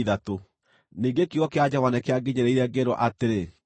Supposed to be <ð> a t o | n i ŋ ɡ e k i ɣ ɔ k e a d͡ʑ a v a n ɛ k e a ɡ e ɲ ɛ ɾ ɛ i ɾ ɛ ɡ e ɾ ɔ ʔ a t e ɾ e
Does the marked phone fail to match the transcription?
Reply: no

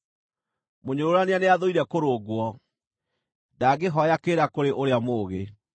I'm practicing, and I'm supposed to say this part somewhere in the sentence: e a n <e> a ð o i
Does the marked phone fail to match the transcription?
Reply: no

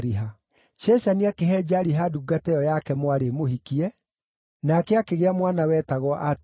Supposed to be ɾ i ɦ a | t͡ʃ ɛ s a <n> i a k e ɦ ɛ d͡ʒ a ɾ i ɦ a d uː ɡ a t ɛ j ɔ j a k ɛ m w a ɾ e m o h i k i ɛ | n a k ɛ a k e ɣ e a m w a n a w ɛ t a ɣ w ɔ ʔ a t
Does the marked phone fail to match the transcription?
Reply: no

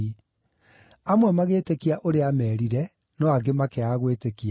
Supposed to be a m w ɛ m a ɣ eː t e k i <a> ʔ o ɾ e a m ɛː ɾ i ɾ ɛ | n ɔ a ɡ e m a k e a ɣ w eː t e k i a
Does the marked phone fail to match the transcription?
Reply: no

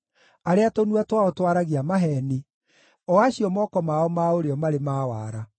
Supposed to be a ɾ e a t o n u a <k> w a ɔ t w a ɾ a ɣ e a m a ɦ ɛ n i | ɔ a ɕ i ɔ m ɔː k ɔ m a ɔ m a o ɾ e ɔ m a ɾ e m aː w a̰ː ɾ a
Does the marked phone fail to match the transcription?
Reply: yes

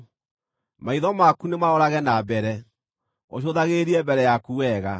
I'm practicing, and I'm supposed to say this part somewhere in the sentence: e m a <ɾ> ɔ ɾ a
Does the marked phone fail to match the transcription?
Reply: yes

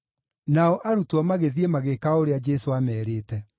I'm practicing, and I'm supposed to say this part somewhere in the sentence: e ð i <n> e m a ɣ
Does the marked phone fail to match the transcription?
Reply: yes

